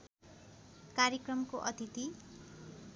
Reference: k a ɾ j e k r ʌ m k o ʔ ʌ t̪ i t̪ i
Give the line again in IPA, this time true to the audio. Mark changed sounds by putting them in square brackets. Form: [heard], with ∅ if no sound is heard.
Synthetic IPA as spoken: k a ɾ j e k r ʌ m k o ʔ ʌ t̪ i t̪ i